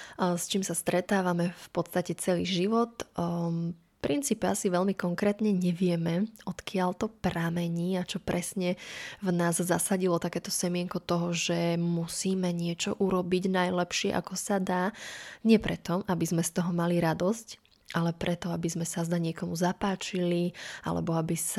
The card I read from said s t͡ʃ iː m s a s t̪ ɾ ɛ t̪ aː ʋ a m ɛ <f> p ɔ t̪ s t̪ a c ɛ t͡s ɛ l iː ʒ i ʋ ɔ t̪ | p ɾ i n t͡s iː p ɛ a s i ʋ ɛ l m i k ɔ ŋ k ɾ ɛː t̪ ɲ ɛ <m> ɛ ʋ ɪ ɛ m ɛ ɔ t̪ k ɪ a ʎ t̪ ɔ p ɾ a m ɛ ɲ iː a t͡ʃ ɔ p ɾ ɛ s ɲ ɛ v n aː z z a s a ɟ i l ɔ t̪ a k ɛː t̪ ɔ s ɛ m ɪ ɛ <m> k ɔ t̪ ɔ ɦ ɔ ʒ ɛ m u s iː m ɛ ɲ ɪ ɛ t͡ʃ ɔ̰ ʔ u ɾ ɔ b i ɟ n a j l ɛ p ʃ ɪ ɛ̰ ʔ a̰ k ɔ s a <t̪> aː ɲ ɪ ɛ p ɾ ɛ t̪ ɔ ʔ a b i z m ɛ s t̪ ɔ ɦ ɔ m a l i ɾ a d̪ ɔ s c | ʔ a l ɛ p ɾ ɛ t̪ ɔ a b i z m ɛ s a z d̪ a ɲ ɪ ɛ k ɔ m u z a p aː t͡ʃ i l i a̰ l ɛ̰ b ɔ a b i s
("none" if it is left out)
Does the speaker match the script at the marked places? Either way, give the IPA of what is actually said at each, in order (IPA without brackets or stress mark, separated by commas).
f, ɲ, ŋ, d̪